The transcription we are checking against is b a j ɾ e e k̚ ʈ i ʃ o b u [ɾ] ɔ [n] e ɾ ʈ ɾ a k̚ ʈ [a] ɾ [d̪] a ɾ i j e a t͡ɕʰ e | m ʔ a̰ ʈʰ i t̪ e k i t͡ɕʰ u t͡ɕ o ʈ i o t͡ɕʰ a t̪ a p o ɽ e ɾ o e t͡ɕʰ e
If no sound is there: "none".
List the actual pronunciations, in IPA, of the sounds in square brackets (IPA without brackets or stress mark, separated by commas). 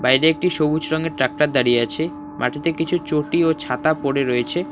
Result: ɾ, ŋ, a, d̪